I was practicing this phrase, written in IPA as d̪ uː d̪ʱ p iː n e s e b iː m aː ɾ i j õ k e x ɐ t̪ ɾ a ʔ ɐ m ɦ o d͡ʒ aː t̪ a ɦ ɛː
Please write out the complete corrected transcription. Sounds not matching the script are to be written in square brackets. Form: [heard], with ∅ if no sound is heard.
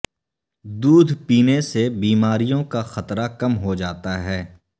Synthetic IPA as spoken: d̪ uː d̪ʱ p iː n e s e b iː m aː ɾ i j õ k [a] x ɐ t̪ ɾ a [k] ɐ m ɦ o d͡ʒ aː t̪ a ɦ ɛː